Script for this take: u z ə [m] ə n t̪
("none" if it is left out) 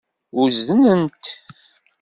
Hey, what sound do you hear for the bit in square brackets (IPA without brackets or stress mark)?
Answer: n